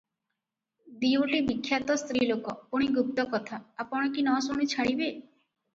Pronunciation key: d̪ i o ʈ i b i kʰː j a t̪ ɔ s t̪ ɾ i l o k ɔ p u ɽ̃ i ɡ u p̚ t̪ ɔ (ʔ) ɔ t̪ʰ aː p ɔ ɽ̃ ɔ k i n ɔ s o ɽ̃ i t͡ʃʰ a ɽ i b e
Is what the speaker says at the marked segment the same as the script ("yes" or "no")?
no